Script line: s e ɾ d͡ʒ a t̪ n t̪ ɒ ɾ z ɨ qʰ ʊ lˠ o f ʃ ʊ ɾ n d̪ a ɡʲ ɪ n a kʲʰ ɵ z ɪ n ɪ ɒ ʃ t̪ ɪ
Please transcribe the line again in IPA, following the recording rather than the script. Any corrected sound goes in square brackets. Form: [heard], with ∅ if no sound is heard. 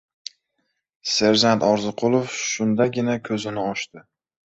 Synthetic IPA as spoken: s e ɾ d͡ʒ a [∅] n t̪ ɒ ɾ z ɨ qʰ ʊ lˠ o f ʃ ʊ [∅] n d̪ a ɡʲ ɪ n a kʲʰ ɵ z ɪ n ɪ ɒ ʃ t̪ ɪ